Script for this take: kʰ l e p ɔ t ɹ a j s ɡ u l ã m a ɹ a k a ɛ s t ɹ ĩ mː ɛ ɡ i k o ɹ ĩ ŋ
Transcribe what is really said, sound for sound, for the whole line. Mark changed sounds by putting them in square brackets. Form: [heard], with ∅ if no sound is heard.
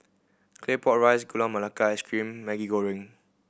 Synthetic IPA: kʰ l e p ɔ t ɹ a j s ɡ u l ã m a [l] a k a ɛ s [k] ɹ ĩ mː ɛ ɡ i [ɡ] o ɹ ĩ ŋ